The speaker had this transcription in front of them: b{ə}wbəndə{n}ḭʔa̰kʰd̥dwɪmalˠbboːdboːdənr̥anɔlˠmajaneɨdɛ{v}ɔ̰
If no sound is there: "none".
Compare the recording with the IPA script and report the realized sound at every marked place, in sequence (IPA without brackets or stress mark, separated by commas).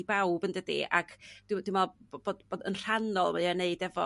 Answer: a, d, v